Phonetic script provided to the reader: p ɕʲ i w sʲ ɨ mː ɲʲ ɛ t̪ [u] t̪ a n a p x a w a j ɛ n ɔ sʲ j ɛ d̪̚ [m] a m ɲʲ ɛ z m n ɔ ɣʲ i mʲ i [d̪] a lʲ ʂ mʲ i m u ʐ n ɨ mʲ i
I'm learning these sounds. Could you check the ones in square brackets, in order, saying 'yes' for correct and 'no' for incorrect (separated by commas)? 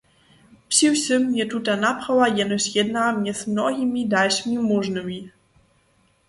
yes, no, yes